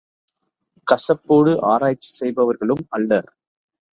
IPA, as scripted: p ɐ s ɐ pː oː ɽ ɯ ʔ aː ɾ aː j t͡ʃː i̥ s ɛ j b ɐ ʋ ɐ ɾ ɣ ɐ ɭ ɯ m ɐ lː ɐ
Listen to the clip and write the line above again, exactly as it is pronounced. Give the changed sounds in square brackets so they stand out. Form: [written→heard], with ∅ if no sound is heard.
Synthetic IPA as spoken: [p→k] ɐ s ɐ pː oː ɽ ɯ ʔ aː ɾ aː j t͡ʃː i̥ s ɛ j b ɐ ʋ ɐ ɾ ɣ ɐ ɭ ɯ m ɐ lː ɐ